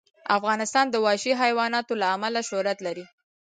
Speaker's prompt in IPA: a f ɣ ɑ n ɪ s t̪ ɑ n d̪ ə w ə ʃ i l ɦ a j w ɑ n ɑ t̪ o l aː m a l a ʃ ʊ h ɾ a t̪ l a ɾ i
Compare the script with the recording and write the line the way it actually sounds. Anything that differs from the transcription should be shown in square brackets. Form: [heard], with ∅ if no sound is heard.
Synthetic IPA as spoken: a f ɣ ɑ n ɪ s t̪ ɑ n d̪ ə w [ɑ] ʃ i [∅] ɦ a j w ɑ n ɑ t̪ o l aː m a l a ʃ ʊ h ɾ a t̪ l a ɾ i